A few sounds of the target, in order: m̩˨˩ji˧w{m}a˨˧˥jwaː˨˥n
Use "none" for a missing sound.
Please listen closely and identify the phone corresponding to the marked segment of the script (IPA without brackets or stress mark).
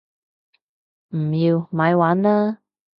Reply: m